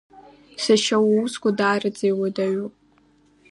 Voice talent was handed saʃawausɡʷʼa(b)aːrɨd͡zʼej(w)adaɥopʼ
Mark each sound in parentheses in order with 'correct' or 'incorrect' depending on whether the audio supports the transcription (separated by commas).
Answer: incorrect, correct